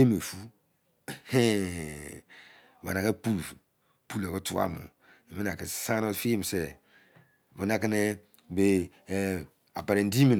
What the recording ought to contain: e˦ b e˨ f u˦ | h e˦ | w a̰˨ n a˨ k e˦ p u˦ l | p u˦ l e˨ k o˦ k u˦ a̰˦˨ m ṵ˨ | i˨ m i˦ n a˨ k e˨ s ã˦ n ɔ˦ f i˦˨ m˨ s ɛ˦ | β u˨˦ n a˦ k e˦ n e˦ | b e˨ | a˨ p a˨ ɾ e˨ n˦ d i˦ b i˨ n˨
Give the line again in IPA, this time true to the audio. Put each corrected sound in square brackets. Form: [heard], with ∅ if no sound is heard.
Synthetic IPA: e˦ [m] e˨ f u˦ | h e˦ | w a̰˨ n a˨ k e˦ p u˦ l | p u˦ l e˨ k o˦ [t] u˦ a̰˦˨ m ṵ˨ | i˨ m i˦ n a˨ k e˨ s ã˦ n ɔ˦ f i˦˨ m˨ s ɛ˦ | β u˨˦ n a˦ k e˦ n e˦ | b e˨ | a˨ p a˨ ɾ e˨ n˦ d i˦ [m] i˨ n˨